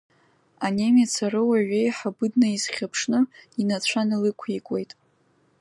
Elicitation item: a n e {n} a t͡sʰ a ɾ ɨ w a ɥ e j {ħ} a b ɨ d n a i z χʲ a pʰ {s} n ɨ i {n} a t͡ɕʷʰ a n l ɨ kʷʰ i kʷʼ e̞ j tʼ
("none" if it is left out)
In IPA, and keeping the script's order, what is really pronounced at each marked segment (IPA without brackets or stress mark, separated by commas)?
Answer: m, ħ, ʂ, n